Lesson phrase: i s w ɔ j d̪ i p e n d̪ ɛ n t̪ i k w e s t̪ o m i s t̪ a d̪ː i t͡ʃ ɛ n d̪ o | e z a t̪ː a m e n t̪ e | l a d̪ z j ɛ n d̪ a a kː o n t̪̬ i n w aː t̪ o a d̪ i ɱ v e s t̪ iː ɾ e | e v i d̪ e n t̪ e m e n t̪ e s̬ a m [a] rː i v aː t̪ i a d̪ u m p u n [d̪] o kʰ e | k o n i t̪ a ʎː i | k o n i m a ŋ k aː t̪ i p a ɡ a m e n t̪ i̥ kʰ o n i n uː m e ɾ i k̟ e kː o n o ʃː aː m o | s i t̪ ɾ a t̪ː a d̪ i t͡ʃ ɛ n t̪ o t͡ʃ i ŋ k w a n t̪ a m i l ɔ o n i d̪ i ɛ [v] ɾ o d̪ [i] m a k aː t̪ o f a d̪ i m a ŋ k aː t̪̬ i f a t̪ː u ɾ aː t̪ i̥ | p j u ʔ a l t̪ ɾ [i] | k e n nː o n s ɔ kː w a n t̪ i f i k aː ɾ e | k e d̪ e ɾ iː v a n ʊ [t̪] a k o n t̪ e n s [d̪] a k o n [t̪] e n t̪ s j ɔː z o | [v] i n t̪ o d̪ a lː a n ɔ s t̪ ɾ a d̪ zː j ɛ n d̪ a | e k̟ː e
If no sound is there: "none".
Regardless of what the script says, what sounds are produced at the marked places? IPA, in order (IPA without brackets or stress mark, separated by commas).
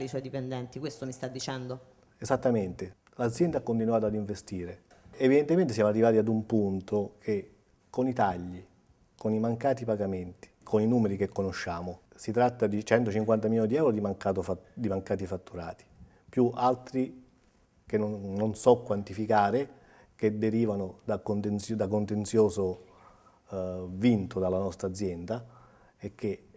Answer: a, t̪, w, i, i, d̪, d̪, t̪, v